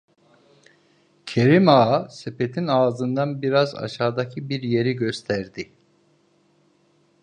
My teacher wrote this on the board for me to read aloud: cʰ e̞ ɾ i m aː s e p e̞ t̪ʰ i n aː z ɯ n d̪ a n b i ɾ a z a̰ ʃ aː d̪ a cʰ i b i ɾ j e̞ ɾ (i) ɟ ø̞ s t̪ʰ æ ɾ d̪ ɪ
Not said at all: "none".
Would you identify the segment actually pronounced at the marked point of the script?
i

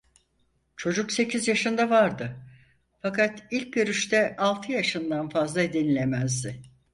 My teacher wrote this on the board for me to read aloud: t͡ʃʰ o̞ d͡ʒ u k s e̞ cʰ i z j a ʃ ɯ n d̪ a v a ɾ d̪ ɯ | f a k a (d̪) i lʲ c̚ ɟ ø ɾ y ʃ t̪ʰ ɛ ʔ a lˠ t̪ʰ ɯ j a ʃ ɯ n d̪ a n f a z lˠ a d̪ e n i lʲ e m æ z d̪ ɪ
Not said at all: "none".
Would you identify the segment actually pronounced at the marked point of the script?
t̪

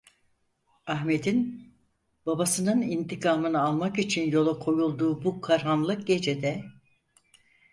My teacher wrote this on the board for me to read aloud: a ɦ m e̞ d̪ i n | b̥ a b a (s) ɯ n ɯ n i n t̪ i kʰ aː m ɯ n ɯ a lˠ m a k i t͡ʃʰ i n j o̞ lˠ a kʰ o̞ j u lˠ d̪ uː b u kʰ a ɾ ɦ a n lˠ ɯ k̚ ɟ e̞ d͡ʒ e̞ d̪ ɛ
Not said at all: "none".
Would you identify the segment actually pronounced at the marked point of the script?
s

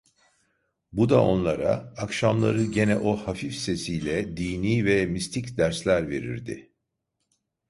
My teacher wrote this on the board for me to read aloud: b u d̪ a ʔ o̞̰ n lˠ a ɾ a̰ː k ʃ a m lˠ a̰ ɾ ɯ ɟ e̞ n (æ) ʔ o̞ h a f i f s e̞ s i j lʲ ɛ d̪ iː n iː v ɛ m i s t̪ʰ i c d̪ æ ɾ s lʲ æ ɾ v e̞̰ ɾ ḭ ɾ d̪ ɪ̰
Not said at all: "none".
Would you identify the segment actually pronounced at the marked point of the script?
ɛ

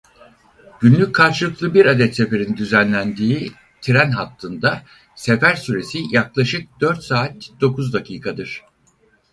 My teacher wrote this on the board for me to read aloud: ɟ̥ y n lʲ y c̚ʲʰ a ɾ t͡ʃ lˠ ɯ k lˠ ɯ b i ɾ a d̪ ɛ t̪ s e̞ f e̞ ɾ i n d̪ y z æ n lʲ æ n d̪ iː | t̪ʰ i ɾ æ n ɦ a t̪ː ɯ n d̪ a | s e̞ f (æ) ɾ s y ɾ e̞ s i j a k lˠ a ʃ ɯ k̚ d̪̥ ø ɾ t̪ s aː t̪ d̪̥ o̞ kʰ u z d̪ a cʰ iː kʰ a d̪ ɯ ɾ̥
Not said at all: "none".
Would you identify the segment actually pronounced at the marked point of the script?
æ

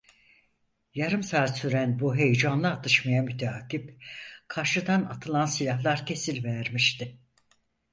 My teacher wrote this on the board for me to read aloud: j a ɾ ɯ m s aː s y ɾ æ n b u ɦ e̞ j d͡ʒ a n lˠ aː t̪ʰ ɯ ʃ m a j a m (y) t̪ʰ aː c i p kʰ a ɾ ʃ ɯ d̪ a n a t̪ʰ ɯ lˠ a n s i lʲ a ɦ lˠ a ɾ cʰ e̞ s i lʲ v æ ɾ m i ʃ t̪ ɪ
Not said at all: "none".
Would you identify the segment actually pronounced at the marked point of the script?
y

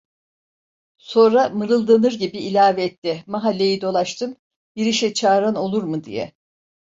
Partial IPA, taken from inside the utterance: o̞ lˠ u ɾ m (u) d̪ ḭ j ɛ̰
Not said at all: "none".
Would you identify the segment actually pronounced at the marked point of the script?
ɯ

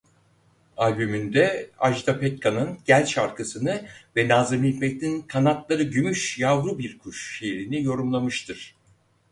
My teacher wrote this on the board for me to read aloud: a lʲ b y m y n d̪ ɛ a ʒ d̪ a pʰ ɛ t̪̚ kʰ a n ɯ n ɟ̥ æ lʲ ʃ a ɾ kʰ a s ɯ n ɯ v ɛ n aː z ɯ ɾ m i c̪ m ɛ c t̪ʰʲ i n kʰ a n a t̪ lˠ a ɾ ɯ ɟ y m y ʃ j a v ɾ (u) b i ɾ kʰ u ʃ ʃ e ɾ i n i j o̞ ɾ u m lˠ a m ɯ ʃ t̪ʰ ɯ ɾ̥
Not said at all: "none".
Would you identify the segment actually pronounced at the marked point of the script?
u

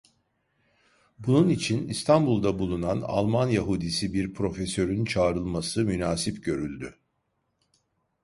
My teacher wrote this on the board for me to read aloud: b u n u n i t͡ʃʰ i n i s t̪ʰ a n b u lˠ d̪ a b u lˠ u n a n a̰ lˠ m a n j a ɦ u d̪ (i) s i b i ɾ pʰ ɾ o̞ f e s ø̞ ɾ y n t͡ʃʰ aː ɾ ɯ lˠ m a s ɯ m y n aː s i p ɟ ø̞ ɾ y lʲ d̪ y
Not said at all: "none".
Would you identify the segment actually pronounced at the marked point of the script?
i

